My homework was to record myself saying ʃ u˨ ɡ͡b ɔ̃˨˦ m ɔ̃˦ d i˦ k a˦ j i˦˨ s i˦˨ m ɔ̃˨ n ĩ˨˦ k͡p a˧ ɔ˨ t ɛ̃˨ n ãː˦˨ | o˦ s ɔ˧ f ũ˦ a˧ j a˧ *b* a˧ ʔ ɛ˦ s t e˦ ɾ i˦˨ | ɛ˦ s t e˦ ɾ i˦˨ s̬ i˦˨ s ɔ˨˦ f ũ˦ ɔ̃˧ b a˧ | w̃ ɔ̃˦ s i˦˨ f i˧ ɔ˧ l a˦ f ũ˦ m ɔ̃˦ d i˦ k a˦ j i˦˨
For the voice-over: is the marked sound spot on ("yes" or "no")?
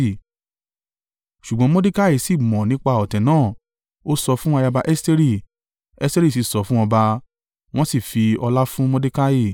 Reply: yes